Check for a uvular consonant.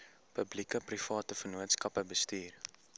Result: absent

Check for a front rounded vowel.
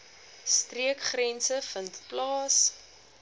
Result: absent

